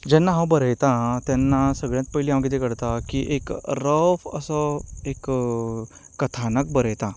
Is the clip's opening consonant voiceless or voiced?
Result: voiced